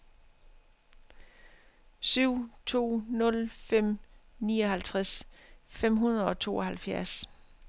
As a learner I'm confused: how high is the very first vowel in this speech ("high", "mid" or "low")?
high